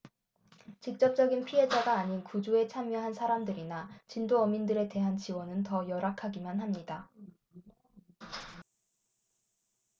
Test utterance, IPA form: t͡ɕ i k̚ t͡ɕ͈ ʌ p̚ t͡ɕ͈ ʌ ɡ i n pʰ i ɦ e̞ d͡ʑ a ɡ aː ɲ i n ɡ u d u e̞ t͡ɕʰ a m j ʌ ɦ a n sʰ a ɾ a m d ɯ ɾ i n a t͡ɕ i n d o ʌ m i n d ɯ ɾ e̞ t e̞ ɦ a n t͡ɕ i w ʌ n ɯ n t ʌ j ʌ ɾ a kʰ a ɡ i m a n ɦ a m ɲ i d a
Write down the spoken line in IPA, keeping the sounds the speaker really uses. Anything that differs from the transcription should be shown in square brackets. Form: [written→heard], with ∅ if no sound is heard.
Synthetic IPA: t͡ɕ i k̚ t͡ɕ͈ ʌ p̚ t͡ɕ͈ ʌ ɡ i n pʰ i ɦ e̞ d͡ʑ a ɡ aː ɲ i n [ɡ→k] u [d→d͡ʑ] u e̞ t͡ɕʰ a m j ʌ ɦ a n sʰ a ɾ a m d ɯ ɾ i n a t͡ɕ i n d o ʌ m i n d ɯ ɾ e̞ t e̞ ɦ a n t͡ɕ i w ʌ n ɯ n t ʌ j ʌ ɾ a kʰ a ɡ i m a n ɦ a m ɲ i d a